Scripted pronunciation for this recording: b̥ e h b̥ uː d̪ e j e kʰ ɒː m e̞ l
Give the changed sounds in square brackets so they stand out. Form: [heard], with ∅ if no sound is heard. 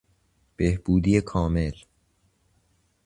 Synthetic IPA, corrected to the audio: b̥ e h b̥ uː d̪ [i] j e kʰ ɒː m e̞ l